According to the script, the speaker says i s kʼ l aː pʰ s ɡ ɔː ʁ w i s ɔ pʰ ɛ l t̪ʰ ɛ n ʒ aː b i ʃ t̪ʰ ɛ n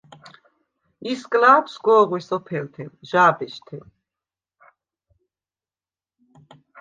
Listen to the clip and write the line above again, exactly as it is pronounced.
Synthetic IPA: i s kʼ l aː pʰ s ɡ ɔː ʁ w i s ɔ pʰ ɛ l t̪ʰ ɛ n ʒ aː b ɛ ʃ t̪ʰ ɛ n